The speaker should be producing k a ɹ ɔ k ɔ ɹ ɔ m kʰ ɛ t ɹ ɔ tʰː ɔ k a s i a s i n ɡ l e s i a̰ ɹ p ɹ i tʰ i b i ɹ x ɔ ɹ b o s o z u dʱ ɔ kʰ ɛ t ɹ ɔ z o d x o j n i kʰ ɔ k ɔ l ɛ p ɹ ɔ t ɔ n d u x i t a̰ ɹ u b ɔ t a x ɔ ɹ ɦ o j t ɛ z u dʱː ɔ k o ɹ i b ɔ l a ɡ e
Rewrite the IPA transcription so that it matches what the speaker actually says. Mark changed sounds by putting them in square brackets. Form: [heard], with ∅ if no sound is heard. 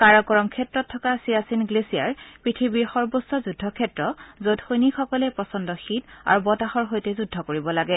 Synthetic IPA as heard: k a ɹ ɔ k ɔ ɹ ɔ m kʰ ɛ t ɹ ɔ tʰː ɔ k a s i a s i n ɡ l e s i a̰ ɹ p ɹ i tʰ i b i ɹ x ɔ ɹ b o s [ɔ] z u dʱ ɔ kʰ ɛ t ɹ ɔ z o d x o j n i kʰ ɔ k ɔ l ɛ p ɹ ɔ [s] ɔ n d [ɔ] x i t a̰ ɹ u b ɔ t a x ɔ ɹ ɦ o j t ɛ z u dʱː ɔ k o ɹ i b ɔ l a ɡ [ɛ]